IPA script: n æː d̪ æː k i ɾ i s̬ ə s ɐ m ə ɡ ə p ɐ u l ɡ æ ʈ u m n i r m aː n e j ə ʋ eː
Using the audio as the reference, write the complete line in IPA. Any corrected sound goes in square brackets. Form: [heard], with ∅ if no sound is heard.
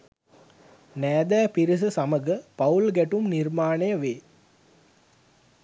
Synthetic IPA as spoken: n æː d̪ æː [p] i ɾ i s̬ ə s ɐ m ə ɡ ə p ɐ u l ɡ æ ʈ u m n i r m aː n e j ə ʋ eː